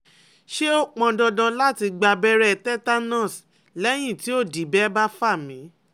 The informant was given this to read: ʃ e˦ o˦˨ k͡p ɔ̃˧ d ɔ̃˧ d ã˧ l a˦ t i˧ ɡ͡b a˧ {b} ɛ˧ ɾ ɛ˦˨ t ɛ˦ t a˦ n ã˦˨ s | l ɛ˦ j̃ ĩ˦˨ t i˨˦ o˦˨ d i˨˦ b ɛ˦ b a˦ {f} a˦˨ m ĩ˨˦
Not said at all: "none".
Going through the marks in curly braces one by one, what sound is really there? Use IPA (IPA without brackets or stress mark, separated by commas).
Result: b, f